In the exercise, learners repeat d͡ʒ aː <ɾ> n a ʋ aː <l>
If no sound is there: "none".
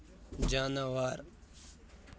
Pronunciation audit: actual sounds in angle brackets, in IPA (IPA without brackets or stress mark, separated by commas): none, ɾ